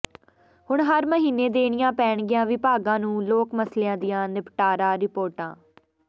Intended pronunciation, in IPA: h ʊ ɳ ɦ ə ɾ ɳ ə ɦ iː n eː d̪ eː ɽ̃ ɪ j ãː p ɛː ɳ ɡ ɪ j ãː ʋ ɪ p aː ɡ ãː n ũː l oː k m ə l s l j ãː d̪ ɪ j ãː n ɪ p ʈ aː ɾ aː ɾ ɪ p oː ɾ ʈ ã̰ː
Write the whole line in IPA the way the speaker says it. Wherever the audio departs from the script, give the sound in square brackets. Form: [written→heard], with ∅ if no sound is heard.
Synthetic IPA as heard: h ʊ ɳ ɦ ə ɾ [ɳ→m] ə ɦ iː n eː d̪ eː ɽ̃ ɪ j ãː p ɛː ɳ ɡ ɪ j ãː ʋ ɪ p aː ɡ ãː n ũː l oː k m ə [l→∅] s l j ãː d̪ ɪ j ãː n ɪ p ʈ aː ɾ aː ɾ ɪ p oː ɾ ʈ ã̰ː